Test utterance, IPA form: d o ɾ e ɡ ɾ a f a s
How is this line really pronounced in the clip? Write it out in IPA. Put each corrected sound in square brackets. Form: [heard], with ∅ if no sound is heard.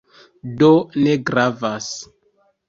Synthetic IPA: d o [l] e ɡ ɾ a [v] a s